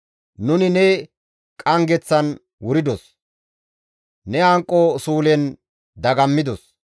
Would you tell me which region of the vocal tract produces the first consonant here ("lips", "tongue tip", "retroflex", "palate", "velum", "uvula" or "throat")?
tongue tip